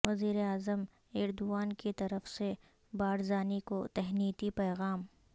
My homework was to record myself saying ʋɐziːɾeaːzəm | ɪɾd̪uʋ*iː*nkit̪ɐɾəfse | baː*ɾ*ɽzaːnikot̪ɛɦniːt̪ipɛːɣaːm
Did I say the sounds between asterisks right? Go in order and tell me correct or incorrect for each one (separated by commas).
incorrect, incorrect